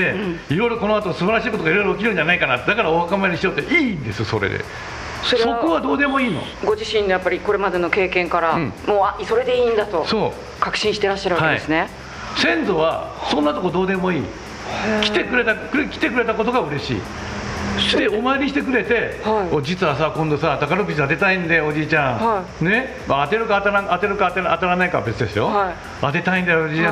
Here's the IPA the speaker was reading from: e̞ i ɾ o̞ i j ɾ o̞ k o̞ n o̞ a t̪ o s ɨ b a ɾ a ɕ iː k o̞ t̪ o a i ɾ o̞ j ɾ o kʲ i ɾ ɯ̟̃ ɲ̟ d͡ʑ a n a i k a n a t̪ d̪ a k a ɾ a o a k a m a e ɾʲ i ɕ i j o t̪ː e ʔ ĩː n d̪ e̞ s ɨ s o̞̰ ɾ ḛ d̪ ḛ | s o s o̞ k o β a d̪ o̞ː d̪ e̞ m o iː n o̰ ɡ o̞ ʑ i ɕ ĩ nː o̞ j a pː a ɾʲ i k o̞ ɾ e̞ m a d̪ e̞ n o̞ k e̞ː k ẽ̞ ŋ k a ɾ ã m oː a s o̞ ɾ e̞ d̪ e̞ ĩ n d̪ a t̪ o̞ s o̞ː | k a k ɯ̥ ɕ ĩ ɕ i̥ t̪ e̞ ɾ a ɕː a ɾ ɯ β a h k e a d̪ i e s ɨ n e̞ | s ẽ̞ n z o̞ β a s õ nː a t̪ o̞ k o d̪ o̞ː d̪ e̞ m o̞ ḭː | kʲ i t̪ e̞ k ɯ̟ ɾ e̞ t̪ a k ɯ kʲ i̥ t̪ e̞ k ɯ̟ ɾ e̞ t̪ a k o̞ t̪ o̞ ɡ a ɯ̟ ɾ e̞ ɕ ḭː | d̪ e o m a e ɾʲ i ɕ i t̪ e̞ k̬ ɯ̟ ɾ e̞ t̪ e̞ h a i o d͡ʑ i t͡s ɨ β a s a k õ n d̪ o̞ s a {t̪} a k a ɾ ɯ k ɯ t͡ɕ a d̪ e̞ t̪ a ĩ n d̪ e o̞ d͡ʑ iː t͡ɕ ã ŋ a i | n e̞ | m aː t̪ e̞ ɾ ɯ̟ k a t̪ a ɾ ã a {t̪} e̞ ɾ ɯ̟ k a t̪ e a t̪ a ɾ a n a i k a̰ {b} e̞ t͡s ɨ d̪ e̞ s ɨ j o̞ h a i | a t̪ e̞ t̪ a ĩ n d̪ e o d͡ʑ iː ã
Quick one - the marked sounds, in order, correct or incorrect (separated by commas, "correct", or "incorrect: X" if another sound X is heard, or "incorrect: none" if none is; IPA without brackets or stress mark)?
correct, correct, correct